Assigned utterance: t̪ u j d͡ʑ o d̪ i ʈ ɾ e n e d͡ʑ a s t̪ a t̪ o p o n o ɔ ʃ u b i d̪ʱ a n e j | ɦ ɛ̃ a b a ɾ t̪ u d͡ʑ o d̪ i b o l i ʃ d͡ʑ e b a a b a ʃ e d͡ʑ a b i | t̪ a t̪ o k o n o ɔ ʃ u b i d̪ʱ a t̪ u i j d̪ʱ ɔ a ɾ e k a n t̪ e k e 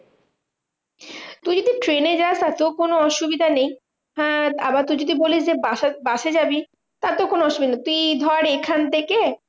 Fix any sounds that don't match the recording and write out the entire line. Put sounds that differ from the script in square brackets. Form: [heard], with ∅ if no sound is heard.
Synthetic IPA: t̪ u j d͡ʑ o d̪ i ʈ ɾ e n e d͡ʑ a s t̪ a t̪ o [k] o n o ɔ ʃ u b i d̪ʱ a n e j | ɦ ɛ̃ a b a ɾ t̪ u d͡ʑ o d̪ i b o l i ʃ d͡ʑ e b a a b a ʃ e d͡ʑ a b i | t̪ a t̪ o k o n o ɔ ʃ u b i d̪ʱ a t̪ u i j d̪ʱ ɔ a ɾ e [kʰ] a n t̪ e k e